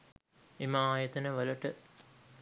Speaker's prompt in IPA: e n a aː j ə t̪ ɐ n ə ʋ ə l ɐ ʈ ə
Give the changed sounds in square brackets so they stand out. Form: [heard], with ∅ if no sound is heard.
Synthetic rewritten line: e [m] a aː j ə t̪ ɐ n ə ʋ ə l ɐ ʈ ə